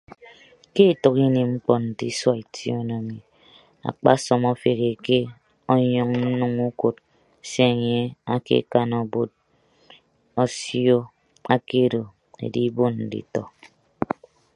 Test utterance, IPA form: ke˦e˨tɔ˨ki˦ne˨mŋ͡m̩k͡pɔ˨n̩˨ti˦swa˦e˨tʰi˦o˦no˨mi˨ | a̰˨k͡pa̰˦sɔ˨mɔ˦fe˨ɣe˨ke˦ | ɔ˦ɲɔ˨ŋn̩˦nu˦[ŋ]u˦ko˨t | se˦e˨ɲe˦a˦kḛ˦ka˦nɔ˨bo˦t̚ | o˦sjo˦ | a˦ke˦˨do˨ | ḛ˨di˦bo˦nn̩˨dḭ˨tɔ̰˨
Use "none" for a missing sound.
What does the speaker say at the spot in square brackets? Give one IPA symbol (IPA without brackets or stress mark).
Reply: ŋ